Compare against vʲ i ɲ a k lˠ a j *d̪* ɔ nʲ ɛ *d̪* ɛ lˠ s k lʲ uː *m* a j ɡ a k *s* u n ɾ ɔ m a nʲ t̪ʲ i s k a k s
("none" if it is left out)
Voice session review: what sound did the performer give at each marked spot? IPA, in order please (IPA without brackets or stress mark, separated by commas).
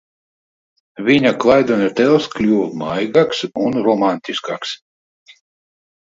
d̪, t̪, m, s